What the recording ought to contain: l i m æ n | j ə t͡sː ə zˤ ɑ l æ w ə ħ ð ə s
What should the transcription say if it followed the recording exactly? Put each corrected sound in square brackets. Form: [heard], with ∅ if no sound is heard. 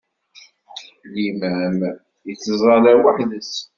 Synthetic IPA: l i m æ [m] | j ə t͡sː ə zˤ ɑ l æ w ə ħ ð ə s

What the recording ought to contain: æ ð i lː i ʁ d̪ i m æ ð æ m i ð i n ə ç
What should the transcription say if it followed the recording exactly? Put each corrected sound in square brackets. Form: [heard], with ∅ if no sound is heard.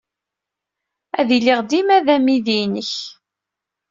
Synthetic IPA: æ ð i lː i ʁ d̪ i m æ ð æ m i ð i n ə ç

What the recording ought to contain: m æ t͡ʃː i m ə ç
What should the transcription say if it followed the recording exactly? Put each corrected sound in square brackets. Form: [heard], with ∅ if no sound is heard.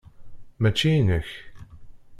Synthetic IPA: m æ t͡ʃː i [n] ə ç

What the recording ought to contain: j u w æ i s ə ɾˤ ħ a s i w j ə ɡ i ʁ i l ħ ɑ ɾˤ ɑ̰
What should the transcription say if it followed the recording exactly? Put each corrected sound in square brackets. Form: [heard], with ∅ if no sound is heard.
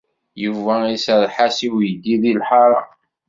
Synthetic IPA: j u [v] æ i s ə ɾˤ ħ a s i w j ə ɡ i [ð] i l ħ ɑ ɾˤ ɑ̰

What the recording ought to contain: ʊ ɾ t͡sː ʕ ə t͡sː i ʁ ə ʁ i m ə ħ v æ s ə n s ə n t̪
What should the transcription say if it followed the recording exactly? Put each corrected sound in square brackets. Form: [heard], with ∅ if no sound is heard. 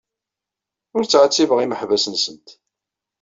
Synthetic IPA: ʊ ɾ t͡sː ʕ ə t͡sː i [v] ə ʁ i m ə ħ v æ s ə n s ə n t̪

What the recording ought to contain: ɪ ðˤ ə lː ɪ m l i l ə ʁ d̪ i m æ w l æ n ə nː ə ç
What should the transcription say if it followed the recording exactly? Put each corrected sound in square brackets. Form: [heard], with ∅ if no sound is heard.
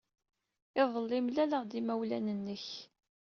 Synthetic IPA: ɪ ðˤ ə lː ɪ m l [æ] l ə ʁ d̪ i m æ w l æ n ə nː ə ç

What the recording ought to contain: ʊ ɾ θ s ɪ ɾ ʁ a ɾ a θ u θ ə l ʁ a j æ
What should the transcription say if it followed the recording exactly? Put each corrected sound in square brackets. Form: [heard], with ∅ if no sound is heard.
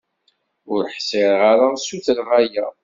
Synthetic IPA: ʊ ɾ [ħ] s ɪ ɾ ʁ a ɾ a [s] u θ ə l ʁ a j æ

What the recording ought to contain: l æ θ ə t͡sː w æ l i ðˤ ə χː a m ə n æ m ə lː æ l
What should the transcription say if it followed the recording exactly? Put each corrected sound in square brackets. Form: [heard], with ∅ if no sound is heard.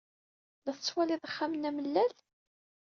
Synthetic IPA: l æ θ ə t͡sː w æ l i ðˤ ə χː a m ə n æ m ə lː æ l

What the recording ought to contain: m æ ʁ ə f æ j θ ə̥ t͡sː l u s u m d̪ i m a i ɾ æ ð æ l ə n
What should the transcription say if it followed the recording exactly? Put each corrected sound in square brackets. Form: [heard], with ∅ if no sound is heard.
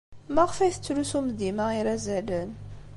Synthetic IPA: m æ ʁ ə f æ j θ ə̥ t͡sː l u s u m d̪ i m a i ɾ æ [z] æ l ə n

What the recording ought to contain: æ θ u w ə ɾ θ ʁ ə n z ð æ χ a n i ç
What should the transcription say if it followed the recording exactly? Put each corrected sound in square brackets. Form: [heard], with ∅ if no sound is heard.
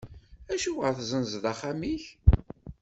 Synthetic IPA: æ [ʃ] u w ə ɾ θ [z] ə n z ð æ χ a [m] i ç

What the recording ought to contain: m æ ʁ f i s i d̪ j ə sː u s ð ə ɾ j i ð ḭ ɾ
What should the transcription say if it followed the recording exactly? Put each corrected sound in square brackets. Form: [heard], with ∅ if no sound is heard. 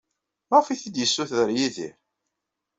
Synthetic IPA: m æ ʁ f i [θ] i d̪ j ə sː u [θ] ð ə ɾ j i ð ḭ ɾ

